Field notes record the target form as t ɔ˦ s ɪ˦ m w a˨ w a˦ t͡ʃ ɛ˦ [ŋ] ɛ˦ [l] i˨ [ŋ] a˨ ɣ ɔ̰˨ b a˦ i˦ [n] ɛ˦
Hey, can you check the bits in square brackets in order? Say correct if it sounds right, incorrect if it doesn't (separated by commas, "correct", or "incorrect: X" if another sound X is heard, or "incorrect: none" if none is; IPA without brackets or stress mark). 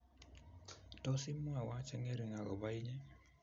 correct, incorrect: ɾ, correct, incorrect: ɲ